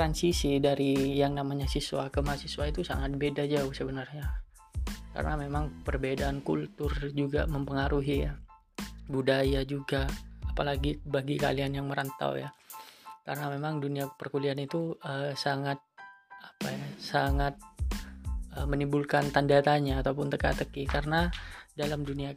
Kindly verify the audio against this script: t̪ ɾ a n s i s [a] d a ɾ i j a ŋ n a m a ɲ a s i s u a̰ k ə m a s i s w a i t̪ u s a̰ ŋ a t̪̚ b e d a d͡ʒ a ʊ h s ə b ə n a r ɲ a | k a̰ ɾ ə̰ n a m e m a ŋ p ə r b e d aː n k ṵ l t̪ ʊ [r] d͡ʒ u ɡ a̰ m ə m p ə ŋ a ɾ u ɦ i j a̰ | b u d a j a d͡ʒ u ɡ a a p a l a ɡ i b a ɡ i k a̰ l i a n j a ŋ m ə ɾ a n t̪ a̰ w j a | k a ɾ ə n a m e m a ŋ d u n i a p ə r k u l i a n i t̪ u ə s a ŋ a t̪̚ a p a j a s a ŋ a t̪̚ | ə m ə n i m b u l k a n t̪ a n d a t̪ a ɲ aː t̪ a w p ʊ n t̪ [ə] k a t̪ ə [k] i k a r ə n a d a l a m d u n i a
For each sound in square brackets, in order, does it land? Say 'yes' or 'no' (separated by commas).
no, yes, yes, yes